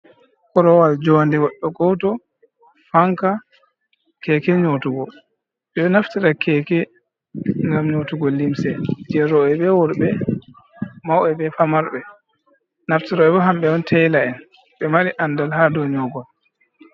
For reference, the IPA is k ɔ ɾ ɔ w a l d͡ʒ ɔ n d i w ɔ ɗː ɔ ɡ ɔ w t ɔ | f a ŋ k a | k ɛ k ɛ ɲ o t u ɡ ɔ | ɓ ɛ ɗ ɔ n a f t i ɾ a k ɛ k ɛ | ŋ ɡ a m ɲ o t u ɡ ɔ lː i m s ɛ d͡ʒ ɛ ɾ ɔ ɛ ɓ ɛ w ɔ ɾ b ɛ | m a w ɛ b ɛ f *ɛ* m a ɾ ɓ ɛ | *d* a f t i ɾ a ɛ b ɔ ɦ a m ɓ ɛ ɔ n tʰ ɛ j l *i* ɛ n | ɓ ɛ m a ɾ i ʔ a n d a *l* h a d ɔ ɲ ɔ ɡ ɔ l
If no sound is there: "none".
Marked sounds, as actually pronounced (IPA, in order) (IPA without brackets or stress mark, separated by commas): a, n, a, l